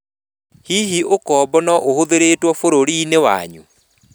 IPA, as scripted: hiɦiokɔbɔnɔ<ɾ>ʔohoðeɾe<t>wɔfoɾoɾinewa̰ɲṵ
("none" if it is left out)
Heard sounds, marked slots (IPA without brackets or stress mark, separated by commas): none, t